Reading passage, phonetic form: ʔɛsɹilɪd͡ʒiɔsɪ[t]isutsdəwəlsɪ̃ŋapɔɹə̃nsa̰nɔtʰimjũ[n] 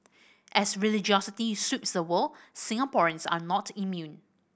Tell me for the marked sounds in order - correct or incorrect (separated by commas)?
correct, correct